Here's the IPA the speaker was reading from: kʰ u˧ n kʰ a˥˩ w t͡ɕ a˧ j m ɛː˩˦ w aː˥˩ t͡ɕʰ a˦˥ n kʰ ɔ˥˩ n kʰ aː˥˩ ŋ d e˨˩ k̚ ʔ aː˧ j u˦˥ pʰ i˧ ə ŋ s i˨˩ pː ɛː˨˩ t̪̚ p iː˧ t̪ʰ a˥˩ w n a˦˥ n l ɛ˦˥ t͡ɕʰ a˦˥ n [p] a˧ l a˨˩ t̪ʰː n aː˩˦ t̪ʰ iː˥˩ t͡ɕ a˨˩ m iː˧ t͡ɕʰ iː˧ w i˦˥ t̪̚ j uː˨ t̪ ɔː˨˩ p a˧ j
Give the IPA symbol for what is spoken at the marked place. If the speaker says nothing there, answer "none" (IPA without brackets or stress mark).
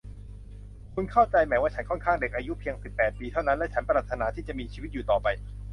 p